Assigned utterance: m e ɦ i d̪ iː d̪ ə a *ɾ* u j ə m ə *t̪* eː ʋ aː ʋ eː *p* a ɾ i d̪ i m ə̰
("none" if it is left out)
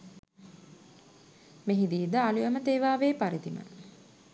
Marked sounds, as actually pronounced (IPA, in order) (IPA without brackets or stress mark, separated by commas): l, t̪, p